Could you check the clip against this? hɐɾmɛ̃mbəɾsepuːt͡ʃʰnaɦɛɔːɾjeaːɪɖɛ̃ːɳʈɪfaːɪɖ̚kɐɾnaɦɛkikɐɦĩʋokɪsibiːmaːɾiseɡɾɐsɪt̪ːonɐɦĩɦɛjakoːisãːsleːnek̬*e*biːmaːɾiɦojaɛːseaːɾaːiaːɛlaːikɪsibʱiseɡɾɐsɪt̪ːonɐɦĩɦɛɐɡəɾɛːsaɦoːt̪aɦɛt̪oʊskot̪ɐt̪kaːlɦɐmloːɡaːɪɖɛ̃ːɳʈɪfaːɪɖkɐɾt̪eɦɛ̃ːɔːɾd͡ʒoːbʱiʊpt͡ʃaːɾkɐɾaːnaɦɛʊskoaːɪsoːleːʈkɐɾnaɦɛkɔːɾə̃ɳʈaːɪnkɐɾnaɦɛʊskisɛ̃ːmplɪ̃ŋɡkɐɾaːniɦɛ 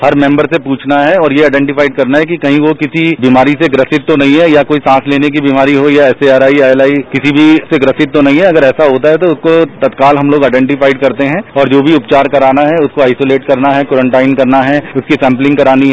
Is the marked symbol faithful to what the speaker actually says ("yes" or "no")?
no